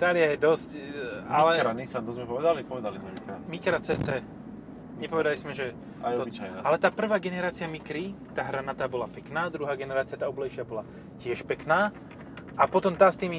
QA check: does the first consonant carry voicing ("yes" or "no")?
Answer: no